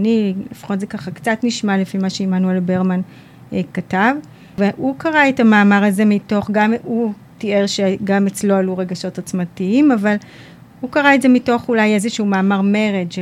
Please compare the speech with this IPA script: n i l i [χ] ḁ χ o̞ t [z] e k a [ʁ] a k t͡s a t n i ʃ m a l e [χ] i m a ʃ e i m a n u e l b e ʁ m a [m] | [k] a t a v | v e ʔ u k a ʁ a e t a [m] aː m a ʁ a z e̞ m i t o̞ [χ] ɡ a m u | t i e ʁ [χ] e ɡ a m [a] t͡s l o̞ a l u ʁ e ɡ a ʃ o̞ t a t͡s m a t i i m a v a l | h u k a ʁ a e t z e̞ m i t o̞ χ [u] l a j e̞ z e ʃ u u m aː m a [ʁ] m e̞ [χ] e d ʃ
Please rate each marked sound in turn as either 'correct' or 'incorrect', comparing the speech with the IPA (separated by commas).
incorrect, correct, incorrect, incorrect, incorrect, correct, correct, correct, incorrect, incorrect, correct, correct, incorrect